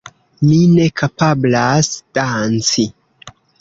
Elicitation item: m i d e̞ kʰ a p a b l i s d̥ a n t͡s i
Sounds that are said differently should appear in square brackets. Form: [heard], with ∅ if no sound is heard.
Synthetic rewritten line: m i [n] e̞ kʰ a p a b l [a] s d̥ a n t͡s i

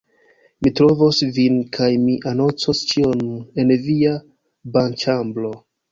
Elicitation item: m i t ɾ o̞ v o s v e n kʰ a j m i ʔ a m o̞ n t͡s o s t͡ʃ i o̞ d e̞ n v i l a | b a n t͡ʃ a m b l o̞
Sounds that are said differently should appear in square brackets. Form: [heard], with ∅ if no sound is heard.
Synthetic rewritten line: m i t ɾ o̞ v o s v [i] n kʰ a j m i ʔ a [n] o̞ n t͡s o s t͡ʃ i o̞ [n] e̞ n v i [∅] a | b a n t͡ʃ a m b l o̞

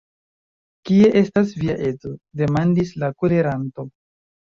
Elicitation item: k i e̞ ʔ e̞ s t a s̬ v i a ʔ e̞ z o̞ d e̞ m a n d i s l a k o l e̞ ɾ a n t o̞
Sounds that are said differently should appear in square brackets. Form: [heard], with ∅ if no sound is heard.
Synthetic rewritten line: k i e̞ ʔ e̞ s t a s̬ v i a ʔ e̞ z o̞ d e̞ m a n d i s l a k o l e̞ ɾ a n t o̞

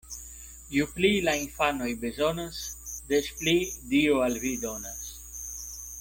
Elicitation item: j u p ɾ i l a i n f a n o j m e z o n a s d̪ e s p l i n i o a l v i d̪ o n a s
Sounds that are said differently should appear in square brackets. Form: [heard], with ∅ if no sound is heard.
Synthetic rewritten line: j u p [l] i l a i n f a n o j [b] e z o n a s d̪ e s p l i [d] i o a l v i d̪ o n a s

